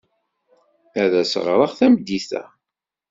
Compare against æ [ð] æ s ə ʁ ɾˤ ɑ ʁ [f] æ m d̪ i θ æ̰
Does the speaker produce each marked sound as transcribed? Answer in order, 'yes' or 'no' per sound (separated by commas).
yes, no